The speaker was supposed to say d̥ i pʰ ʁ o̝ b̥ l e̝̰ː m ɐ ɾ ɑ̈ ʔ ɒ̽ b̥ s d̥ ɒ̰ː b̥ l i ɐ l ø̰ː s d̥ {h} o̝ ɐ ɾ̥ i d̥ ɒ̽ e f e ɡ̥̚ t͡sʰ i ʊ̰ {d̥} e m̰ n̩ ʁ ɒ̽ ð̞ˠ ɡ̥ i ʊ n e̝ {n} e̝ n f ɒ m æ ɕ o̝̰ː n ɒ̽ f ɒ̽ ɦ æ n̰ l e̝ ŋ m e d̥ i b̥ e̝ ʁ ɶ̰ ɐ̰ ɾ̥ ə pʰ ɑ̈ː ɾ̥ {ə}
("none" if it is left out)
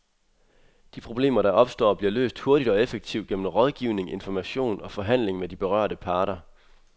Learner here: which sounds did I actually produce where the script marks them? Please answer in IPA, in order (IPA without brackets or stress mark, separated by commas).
h, ɡ̥, ŋ, ɐ